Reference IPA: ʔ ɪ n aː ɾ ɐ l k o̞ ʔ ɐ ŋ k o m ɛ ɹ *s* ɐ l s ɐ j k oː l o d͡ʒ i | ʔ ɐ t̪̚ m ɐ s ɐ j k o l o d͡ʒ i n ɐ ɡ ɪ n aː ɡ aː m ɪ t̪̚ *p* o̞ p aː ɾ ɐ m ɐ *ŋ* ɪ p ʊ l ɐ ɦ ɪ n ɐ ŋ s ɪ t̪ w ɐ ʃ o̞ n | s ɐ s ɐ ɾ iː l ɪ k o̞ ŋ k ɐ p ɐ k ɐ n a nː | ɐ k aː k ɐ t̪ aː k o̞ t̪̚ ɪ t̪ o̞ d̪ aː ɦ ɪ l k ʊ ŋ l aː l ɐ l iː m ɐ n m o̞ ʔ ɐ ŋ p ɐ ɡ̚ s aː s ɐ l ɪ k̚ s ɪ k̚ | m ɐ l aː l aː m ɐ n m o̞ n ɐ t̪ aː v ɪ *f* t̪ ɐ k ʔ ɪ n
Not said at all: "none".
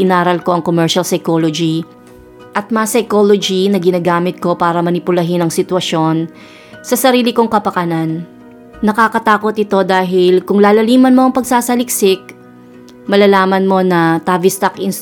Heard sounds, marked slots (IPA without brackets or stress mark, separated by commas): ʃ, k, n, s